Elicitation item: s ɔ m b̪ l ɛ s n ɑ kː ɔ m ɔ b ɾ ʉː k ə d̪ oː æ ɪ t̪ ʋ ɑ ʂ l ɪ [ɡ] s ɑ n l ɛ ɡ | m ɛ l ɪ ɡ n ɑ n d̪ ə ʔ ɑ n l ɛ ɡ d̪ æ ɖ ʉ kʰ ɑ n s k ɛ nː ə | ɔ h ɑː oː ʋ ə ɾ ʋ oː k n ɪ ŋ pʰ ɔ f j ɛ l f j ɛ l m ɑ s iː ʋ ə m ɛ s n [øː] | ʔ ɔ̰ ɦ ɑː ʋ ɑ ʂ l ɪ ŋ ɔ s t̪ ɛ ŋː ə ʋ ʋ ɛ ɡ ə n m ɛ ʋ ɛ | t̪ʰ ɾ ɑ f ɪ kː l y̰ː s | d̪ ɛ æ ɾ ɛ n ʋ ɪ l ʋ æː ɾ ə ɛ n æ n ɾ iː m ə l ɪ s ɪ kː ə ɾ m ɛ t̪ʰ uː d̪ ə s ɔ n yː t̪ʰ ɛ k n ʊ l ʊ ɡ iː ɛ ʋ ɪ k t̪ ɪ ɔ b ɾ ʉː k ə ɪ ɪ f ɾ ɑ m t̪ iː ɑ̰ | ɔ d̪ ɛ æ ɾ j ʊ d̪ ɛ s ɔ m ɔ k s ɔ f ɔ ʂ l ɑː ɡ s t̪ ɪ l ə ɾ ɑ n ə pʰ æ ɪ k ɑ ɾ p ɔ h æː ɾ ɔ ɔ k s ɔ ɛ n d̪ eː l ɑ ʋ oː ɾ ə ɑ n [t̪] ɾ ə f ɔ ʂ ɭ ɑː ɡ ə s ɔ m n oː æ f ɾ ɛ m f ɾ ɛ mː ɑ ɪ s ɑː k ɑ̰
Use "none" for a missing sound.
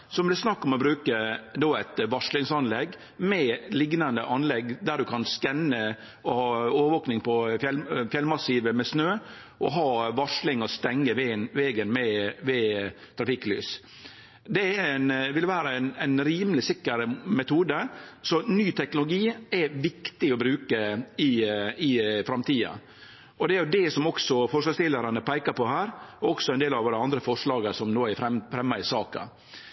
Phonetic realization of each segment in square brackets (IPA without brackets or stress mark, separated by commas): ŋ, øː, d̪